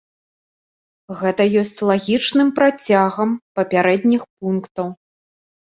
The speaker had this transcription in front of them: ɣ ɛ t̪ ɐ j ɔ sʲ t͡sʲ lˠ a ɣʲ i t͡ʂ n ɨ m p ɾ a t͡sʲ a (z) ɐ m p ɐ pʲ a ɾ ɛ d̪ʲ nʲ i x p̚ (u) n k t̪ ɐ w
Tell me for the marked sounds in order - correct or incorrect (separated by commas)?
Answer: incorrect, correct